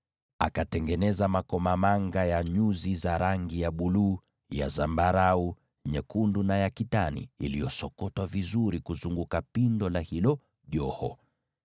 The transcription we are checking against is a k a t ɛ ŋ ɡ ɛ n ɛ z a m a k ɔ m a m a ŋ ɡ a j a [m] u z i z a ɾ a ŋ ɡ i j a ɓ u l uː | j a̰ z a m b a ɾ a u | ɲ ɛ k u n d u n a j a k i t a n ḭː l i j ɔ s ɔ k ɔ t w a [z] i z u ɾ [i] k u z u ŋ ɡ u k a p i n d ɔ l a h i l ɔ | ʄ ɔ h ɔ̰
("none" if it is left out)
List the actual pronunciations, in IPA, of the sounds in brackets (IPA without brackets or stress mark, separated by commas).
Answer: ɲ, v, i